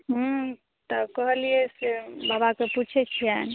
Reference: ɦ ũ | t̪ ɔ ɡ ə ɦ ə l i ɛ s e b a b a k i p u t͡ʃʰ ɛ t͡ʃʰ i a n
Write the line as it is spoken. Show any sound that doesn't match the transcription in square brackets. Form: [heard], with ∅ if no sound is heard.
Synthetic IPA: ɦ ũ | t̪ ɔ [k] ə ɦ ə l i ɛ s e b a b a k [e] p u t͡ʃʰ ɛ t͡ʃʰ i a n